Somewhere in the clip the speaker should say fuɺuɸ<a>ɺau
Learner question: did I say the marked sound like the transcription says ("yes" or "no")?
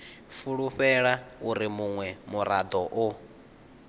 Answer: no